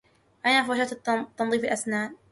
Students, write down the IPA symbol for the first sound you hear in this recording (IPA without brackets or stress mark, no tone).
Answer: ʔ